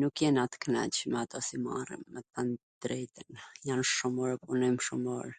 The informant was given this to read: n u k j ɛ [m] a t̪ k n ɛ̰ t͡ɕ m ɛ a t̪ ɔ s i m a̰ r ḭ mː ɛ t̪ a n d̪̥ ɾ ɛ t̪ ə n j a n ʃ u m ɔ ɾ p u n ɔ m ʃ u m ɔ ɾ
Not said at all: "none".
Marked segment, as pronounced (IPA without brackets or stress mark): n